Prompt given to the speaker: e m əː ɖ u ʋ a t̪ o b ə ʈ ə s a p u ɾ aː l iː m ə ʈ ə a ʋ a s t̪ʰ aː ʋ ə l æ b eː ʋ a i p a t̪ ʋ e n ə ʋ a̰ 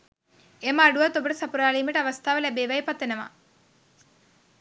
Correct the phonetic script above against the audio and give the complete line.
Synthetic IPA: e m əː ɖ u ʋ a t̪ o b ə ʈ ə s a p u ɾ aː l iː m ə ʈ ə a ʋ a s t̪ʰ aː ʋ ə l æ b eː ʋ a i p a t̪ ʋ e n ə ʋ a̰